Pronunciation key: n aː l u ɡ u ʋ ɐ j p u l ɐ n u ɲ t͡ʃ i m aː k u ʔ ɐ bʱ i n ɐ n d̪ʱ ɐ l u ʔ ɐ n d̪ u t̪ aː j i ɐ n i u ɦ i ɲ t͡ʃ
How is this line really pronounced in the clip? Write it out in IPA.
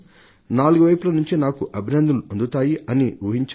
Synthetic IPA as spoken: n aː l u ɡ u ʋ ɐ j p u l ɐ n u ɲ t͡ʃ i n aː k u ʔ ɐ bʱ i n ɐ n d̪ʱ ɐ l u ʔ ɐ n d̪ u t̪ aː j i ɐ n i u ɦ i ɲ t͡ʃ

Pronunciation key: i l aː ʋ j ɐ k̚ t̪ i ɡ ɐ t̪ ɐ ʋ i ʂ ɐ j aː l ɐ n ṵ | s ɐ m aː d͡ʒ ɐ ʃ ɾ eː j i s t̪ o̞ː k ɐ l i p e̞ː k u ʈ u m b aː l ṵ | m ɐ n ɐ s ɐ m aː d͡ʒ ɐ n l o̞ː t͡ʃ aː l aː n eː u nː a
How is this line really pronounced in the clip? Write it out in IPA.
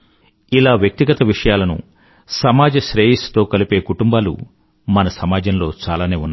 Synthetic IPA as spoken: i l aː ʋ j ɐ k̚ t̪ i ɡ ɐ t̪ ɐ ʋ i ʂ ɐ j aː l ɐ n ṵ | s ɐ m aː d͡ʒ ɐ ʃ ɾ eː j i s t̪ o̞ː k ɐ l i p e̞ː k u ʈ u m b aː l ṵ | m ɐ n ɐ s ɐ m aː d͡ʒ ɐ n l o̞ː t͡ʃ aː l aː n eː u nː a

